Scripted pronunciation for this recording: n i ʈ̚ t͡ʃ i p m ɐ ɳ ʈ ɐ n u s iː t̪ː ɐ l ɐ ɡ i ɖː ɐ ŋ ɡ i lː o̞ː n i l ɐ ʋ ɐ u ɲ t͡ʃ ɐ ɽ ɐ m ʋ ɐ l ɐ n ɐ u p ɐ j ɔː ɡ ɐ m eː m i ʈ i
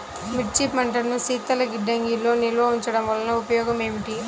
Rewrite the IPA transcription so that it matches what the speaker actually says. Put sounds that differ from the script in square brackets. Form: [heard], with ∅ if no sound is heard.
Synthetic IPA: [m] i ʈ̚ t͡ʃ i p m ɐ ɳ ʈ ɐ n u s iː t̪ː ɐ l ɐ ɡ i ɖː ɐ ŋ ɡ i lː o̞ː n i l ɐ ʋ ɐ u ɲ t͡ʃ ɐ ɽ ɐ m ʋ ɐ l ɐ n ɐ u p ɐ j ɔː ɡ ɐ m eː m i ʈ i